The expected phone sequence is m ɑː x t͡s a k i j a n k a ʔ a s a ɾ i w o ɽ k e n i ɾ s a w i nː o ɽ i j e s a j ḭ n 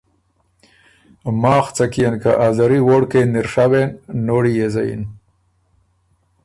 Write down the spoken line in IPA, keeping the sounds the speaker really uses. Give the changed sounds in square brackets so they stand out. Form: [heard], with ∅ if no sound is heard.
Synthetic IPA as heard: m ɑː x t͡s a k i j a n k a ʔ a [z] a ɾ i w o ɽ k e n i ɾ [ʂ] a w [e] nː o ɽ i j e [z] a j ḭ n